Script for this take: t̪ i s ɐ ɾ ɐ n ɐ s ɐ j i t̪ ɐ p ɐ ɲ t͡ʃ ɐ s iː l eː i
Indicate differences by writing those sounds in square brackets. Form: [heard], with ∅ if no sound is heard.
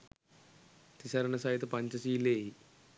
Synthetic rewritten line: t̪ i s ɐ ɾ ɐ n ɐ s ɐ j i t̪ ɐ p ɐ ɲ t͡ʃ ɐ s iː l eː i